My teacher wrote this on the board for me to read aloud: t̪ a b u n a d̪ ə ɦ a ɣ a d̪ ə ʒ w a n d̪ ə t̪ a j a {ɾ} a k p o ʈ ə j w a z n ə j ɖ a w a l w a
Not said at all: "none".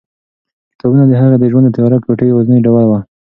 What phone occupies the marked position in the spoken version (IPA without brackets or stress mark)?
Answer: ɾ